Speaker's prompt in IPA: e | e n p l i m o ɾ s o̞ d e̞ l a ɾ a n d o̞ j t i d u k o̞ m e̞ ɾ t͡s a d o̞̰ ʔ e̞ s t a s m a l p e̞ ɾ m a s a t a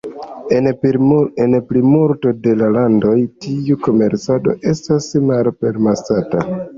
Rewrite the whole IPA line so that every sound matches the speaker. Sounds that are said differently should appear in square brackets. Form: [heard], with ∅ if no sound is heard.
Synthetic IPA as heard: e | e n p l i m [u] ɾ [t] o̞ d e̞ l a [l] a n d o̞ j t i [∅] u k o̞ m e̞ ɾ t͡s a d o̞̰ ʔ e̞ s t a s m a l p e̞ ɾ m a s a t a